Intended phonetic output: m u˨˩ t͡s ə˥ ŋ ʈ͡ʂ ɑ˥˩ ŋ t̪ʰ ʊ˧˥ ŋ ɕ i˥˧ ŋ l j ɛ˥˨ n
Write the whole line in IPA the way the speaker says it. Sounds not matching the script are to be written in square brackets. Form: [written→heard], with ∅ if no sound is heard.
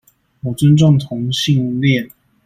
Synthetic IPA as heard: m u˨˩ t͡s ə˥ [ŋ→n] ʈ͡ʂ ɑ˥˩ ŋ t̪ʰ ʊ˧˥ ŋ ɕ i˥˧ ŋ l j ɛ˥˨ n

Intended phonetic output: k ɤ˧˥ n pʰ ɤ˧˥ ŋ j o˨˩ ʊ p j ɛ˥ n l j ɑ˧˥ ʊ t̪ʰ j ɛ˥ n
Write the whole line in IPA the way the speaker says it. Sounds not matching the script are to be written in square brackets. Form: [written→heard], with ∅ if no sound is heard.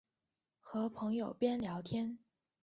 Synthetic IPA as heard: [k→x] ɤ˧˥ [n→∅] pʰ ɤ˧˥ ŋ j o˨˩ ʊ p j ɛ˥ n l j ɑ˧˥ ʊ t̪ʰ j ɛ˥ n

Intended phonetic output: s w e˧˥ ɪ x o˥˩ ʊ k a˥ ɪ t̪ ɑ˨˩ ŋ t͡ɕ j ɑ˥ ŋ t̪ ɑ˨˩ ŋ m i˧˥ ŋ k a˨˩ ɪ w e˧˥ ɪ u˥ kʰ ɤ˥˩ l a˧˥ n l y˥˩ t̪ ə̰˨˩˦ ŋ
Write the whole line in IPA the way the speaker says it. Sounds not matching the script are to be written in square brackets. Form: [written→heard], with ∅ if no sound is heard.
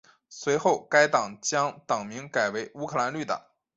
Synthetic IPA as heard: s w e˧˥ ɪ x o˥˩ ʊ k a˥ ɪ t̪ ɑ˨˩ ŋ t͡ɕ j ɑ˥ ŋ t̪ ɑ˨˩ ŋ m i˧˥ ŋ k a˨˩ ɪ w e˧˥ ɪ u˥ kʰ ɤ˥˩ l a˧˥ n l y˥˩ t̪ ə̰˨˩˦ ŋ

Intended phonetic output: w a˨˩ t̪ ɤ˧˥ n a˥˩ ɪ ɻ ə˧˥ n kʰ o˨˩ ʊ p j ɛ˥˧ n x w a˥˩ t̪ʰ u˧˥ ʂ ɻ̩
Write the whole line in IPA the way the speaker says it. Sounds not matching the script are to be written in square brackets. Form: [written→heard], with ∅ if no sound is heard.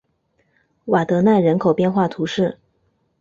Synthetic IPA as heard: w a˨˩ t̪ ɤ˧˥ n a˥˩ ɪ ɻ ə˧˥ n kʰ o˨˩ ʊ p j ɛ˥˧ n x w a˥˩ t̪ʰ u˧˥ ʂ ɻ̩

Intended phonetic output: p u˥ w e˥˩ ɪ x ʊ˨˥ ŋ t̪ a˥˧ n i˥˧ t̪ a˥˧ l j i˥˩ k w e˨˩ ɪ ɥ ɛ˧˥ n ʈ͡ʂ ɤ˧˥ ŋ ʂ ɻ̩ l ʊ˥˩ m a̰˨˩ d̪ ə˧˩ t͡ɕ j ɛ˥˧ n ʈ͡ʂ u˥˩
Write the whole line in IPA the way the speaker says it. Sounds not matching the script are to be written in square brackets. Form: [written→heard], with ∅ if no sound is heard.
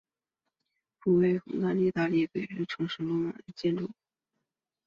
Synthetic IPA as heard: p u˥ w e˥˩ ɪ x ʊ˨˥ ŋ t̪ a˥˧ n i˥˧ t̪ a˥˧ l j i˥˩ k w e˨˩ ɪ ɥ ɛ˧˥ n [ʈ͡ʂ→ʈ͡ʂʰ] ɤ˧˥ ŋ ʂ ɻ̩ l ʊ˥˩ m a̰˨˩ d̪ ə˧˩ t͡ɕ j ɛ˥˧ n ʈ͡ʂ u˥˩

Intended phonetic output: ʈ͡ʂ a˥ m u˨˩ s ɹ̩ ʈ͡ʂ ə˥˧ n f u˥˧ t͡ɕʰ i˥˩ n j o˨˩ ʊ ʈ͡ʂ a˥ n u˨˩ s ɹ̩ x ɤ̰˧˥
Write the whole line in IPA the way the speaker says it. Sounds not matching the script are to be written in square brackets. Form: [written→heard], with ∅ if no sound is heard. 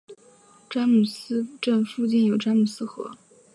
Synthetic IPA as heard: ʈ͡ʂ a˥ m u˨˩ s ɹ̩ ʈ͡ʂ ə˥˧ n f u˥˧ [t͡ɕʰ→t͡ɕ] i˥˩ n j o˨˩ ʊ ʈ͡ʂ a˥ [n→m] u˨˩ s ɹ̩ x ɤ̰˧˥

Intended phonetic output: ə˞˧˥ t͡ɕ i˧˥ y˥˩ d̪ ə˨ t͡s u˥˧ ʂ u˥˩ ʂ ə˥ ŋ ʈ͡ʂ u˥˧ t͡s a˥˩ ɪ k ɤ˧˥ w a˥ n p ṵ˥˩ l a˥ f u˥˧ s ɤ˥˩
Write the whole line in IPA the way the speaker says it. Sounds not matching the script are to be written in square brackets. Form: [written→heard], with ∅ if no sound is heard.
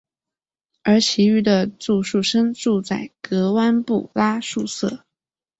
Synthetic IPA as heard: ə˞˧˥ [t͡ɕ→t͡ɕʰ] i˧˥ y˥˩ d̪ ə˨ t͡s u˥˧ ʂ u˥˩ ʂ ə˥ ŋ ʈ͡ʂ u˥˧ t͡s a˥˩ ɪ k ɤ˧˥ w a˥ n p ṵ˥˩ l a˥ [f→ʂ] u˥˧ s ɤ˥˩

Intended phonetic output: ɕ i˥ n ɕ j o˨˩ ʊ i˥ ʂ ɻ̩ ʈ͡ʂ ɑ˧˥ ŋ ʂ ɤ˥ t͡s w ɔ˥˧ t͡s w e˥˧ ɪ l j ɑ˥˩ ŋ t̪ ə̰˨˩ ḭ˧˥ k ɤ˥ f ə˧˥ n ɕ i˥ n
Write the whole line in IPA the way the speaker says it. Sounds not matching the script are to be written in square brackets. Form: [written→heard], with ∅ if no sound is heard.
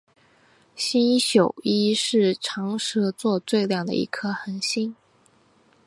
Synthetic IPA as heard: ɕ i˥ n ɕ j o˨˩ ʊ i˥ ʂ ɻ̩ [ʈ͡ʂ→ʈ͡ʂʰ] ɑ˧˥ ŋ ʂ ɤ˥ t͡s w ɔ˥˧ t͡s w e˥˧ ɪ l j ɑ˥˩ ŋ [t̪→d̪] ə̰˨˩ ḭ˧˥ [k→kʰ] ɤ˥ [f→x] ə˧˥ n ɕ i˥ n

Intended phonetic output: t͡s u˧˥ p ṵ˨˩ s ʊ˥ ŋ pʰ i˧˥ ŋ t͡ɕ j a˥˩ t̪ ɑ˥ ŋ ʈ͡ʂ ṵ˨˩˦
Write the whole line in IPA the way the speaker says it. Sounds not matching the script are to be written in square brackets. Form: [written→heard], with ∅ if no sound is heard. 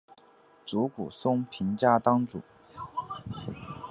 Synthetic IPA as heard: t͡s u˧˥ [p→k] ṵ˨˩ s ʊ˥ ŋ pʰ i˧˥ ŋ t͡ɕ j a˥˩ t̪ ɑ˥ ŋ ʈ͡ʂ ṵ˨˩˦

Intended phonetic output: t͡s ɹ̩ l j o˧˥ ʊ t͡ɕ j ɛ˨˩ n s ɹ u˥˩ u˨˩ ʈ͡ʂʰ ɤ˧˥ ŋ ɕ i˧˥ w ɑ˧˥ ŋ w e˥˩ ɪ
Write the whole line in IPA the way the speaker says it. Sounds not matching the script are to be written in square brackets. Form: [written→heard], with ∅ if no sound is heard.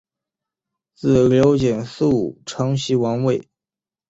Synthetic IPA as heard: t͡s ɹ̩ l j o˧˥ ʊ t͡ɕ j ɛ˨˩ n s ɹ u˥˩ u˨˩ ʈ͡ʂʰ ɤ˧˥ ŋ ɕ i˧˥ w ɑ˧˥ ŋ w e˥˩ ɪ

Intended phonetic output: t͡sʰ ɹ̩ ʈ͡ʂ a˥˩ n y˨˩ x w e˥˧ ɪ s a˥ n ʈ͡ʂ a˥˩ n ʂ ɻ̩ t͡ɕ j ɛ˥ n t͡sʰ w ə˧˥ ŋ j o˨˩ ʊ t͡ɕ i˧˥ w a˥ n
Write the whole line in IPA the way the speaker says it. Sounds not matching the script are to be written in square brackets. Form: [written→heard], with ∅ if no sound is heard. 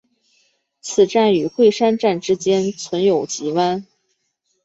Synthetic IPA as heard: t͡sʰ ɹ̩ ʈ͡ʂ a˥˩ n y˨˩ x w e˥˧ ɪ [s→ʂ] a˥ n ʈ͡ʂ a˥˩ n [ʂ→ʈ͡ʂ] ɻ̩ t͡ɕ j ɛ˥ n t͡sʰ w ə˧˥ [ŋ→n] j o˨˩ ʊ t͡ɕ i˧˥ w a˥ n

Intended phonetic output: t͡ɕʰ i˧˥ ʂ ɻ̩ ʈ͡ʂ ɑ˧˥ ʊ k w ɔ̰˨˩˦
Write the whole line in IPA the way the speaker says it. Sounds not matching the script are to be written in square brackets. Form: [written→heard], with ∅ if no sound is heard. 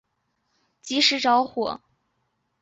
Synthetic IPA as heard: [t͡ɕʰ→t͡ɕ] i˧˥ ʂ ɻ̩ ʈ͡ʂ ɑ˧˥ ʊ [k→x] w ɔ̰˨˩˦

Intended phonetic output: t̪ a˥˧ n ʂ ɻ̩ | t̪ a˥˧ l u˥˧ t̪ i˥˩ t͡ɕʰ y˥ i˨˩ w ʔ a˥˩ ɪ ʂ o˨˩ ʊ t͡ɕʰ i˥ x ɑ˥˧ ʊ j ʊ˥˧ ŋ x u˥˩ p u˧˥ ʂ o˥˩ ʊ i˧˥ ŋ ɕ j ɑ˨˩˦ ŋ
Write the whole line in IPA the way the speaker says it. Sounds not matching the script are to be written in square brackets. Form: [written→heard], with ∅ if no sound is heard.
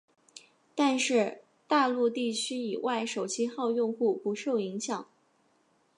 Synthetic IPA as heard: t̪ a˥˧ n ʂ ɻ̩ | t̪ a˥˧ l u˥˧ t̪ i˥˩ t͡ɕʰ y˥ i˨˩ w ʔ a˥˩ ɪ ʂ o˨˩ ʊ t͡ɕʰ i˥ x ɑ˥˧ ʊ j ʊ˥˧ ŋ x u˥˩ p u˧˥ ʂ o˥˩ ʊ i˧˥ ŋ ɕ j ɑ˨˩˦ ŋ

